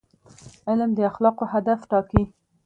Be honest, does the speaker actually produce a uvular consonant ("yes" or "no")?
yes